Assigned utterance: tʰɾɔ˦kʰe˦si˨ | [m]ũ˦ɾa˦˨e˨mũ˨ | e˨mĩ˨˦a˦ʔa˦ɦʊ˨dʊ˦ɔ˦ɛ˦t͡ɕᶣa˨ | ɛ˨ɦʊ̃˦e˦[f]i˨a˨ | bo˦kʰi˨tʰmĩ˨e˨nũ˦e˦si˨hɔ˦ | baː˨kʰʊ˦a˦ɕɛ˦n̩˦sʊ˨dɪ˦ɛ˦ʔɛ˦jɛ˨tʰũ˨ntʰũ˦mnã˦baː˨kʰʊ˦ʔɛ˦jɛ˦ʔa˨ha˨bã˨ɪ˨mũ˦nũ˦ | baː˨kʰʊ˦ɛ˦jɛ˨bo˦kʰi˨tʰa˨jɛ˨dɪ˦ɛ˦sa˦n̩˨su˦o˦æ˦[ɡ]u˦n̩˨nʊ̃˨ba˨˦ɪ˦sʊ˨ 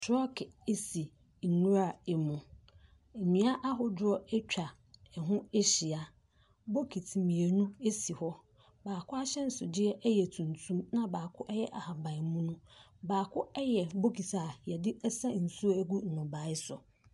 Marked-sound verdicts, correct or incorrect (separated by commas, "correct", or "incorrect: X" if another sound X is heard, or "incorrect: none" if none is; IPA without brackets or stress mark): incorrect: n, incorrect: ɕ, correct